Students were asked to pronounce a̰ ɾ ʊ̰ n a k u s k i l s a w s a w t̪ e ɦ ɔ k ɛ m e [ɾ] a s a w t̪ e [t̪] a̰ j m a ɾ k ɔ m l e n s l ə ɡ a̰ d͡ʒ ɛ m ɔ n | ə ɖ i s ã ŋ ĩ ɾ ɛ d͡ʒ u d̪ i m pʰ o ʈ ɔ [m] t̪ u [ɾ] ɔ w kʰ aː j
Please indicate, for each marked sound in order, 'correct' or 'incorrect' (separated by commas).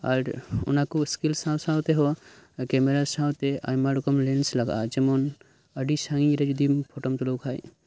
correct, incorrect, correct, incorrect